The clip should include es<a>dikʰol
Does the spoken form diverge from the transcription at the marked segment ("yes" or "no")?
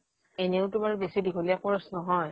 yes